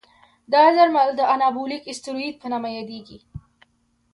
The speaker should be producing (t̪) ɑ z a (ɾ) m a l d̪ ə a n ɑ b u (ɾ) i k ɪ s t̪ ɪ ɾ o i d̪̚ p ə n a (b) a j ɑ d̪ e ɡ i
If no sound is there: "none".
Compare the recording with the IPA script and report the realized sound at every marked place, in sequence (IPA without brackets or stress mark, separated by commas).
d̪, ɾ, l, m